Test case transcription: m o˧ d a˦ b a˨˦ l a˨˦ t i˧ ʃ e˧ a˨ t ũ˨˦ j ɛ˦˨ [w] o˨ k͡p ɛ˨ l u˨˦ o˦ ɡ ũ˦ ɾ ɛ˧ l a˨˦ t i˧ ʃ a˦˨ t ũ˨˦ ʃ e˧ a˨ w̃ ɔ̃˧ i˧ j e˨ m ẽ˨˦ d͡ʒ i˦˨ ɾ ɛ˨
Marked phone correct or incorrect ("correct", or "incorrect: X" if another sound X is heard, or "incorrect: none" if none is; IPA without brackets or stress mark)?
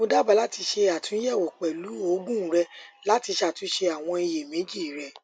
correct